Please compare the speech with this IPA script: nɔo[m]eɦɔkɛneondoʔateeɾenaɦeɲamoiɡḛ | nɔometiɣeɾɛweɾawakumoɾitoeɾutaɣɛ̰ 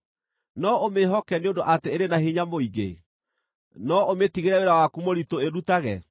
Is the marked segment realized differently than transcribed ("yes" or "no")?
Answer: no